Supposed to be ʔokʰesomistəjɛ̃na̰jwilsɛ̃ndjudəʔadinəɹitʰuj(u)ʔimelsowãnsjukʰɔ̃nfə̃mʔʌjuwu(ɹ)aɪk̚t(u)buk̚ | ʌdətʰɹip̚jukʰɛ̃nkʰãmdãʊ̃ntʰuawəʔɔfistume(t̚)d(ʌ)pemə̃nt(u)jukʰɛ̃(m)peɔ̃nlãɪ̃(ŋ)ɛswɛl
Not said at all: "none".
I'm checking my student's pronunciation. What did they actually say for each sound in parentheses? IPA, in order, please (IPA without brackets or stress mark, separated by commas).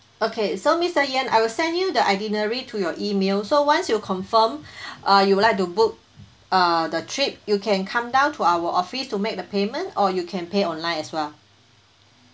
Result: ɔ, l, u, k̚, ə, ɔ, n, n